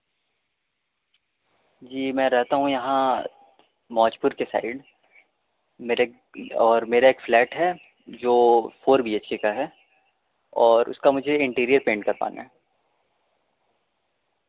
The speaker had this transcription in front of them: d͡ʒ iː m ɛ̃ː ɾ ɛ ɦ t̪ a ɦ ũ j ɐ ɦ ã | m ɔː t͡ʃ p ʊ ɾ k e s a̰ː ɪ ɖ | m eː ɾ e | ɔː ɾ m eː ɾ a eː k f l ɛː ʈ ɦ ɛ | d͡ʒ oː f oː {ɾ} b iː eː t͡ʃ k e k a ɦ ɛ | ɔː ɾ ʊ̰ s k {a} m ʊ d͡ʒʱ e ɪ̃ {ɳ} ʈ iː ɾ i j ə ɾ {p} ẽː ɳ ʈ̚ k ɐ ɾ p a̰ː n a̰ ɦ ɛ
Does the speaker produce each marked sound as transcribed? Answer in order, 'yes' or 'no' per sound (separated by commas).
yes, yes, yes, yes